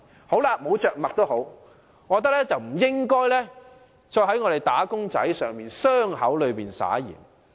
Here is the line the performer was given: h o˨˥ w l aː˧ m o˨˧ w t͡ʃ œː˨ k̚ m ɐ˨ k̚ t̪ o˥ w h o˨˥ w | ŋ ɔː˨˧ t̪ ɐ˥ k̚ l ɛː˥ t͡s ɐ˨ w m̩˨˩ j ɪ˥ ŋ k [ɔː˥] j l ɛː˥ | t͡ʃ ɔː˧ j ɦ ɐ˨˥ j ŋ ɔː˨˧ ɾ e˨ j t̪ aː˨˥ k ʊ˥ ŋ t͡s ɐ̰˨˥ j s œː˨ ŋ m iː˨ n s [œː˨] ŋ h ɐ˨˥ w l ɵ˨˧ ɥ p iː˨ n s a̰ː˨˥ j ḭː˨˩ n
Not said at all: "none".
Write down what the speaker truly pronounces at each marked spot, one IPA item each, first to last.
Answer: ɔː˥, œː˥

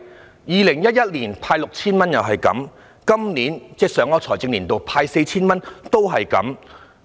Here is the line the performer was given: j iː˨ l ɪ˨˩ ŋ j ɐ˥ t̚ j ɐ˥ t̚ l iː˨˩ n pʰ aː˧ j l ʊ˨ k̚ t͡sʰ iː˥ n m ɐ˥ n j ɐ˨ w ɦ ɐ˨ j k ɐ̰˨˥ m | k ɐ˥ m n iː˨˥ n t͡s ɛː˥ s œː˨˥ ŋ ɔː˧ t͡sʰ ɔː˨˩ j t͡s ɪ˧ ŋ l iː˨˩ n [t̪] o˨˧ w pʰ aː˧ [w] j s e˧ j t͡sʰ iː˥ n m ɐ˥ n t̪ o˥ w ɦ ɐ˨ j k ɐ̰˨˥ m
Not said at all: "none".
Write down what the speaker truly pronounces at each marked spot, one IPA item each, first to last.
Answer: t̪, none

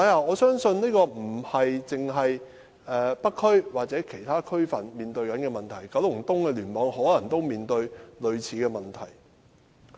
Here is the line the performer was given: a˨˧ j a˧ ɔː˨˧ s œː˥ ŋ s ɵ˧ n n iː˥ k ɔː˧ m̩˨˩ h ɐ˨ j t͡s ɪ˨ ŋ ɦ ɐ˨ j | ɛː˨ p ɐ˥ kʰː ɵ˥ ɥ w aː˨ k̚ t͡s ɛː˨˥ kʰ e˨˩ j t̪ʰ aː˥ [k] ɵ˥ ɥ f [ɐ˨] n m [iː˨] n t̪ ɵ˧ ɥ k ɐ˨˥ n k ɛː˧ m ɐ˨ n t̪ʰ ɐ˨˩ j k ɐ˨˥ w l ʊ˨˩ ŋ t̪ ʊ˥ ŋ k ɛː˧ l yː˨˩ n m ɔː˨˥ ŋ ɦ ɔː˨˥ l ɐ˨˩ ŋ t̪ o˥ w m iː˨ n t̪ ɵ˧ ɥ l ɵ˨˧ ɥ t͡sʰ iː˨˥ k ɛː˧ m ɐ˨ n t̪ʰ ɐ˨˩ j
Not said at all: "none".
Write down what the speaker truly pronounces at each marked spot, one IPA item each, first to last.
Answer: kʰ, ɐ˨, iː˨

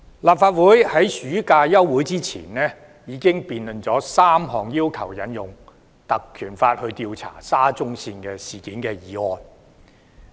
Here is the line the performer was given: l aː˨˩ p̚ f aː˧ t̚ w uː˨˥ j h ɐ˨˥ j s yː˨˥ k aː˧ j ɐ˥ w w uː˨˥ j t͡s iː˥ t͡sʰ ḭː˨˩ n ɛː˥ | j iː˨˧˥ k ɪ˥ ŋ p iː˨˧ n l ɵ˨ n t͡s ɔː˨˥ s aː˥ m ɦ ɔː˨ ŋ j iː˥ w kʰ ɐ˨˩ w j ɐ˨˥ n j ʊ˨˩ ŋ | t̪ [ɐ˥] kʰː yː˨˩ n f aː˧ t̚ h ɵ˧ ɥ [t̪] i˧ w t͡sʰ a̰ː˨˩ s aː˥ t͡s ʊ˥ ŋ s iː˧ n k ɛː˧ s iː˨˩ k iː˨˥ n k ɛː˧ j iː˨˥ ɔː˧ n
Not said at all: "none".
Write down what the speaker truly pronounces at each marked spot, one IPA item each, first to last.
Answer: ɐ˨, t̪

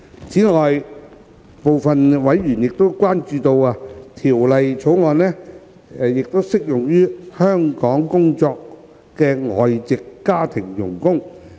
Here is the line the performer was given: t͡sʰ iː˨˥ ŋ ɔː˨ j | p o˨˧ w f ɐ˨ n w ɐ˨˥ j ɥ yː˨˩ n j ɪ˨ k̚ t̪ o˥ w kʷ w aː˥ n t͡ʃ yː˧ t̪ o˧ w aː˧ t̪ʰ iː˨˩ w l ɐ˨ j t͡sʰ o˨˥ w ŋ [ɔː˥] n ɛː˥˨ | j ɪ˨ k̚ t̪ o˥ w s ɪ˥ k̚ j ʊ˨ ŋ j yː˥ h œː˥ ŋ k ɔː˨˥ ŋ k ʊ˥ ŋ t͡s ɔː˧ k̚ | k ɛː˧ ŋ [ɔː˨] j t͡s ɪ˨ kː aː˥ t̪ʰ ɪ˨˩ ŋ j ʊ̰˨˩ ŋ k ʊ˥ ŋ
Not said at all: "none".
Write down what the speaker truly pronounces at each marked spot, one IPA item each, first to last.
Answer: ɔː˨˧, ɔː˨

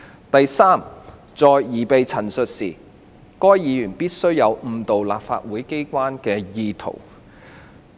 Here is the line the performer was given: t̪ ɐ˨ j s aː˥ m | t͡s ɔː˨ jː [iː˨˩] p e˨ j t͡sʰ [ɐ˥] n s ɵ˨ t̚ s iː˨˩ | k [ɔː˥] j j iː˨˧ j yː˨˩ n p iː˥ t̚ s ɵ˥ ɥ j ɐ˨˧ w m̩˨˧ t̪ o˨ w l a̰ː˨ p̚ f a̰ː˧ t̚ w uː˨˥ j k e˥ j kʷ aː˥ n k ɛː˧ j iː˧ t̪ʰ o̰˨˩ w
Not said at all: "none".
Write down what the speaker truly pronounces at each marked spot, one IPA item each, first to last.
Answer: iː˨˩, ɐ˨˩, ɔː˥

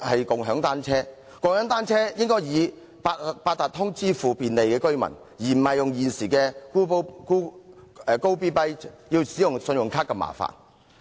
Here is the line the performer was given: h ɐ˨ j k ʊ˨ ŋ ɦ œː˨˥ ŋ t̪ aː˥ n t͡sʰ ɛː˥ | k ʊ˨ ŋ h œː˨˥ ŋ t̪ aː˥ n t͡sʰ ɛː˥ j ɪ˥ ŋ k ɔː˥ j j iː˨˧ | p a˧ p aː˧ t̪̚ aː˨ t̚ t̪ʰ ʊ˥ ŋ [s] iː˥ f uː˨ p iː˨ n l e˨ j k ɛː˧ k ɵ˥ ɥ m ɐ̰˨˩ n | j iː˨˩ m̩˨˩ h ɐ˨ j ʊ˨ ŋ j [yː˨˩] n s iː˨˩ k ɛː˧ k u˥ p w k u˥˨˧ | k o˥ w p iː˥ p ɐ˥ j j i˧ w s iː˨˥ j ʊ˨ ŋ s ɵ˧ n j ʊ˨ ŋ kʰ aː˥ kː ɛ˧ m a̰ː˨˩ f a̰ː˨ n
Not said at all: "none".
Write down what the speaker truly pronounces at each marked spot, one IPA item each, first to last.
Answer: t͡s, iː˨˩

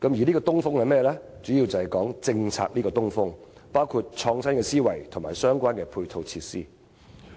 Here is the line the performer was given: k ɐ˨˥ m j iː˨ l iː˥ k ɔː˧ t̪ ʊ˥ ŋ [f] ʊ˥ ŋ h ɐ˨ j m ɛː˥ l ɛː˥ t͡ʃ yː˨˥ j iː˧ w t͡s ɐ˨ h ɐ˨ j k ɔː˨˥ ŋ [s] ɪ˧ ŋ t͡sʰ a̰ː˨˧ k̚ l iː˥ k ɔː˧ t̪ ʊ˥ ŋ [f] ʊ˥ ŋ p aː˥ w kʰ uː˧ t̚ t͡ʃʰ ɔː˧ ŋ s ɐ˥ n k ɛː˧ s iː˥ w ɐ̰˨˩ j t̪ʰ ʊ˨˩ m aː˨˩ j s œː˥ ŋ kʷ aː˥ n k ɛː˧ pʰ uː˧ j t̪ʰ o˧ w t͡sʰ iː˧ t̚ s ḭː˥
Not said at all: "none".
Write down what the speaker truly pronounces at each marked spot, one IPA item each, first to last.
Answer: f, t͡s, f

